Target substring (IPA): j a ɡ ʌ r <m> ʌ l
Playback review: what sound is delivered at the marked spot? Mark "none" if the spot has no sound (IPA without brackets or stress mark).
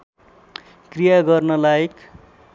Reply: n